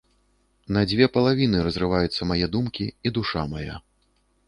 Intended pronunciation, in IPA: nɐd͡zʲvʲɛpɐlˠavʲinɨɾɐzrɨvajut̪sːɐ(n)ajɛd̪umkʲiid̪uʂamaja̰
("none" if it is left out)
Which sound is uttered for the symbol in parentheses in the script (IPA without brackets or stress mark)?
m